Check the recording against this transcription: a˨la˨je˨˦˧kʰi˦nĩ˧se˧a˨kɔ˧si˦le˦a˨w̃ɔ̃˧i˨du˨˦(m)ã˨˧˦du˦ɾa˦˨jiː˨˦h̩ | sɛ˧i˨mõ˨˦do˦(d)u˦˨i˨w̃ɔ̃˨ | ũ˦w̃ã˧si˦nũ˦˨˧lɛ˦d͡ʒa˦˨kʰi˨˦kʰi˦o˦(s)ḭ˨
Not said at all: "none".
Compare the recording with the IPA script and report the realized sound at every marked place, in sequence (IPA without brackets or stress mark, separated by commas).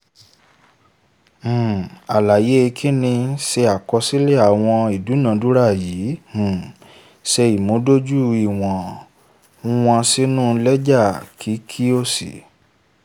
n, d͡ʒ, s